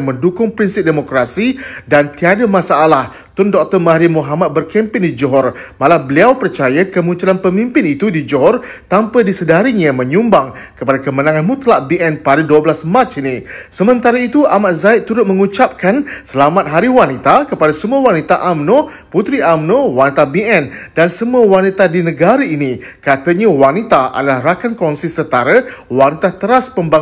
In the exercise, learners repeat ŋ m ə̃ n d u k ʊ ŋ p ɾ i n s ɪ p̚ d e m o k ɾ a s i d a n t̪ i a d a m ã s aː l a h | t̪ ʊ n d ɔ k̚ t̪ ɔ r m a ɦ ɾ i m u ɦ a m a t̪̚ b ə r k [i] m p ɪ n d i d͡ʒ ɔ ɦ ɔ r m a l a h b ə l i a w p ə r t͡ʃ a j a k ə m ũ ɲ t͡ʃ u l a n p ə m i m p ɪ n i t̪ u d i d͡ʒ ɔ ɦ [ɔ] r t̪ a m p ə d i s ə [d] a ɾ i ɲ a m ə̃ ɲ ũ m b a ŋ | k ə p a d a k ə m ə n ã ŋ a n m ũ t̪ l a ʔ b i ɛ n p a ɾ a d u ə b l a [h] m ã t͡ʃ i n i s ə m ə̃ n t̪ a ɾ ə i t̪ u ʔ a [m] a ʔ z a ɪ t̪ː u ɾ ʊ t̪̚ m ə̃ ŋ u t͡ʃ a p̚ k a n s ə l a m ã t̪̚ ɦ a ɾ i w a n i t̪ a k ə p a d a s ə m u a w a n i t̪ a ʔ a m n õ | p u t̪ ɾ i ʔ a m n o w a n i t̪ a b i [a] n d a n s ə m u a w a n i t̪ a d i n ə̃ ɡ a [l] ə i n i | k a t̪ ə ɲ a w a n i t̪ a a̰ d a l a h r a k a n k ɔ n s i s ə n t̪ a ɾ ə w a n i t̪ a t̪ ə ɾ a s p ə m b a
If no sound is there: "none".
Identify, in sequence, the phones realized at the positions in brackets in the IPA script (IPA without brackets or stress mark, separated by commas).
ɛ, ɔ, d, s, m, ɛ, ɾ